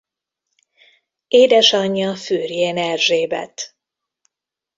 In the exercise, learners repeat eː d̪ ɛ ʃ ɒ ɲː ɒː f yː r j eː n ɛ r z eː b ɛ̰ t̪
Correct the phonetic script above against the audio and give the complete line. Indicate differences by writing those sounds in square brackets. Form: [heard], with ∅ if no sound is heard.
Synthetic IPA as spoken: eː d̪ ɛ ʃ ɒ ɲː [ɒ] f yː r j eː n ɛ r [ʒ] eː b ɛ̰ t̪